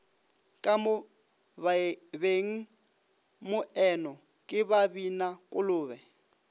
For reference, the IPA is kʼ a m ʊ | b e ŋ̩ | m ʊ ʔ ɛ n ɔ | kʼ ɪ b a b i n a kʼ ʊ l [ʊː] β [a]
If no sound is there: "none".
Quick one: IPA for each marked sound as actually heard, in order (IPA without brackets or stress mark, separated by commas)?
ʊː, ɛ